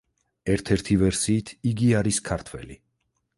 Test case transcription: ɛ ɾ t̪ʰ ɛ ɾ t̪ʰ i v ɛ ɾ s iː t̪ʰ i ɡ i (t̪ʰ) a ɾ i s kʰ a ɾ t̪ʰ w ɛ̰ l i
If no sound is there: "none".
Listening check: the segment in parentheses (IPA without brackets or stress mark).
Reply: none